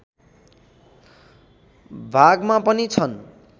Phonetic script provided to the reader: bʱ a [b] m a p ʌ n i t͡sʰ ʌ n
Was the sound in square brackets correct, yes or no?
no